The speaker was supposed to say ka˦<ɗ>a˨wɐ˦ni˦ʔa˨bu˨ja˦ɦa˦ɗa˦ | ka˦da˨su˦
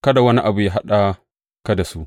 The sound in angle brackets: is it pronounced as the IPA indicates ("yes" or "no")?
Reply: no